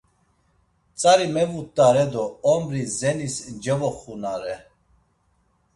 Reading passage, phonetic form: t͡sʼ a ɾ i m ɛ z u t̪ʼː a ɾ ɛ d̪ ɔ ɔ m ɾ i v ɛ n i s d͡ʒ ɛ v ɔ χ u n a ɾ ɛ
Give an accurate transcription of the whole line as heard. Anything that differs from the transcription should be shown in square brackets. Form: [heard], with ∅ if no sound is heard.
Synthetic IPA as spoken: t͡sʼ a ɾ i m ɛ [v] u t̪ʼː a ɾ ɛ d̪ ɔ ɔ m ɾ i [z] ɛ n i s d͡ʒ ɛ v ɔ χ u n a ɾ ɛ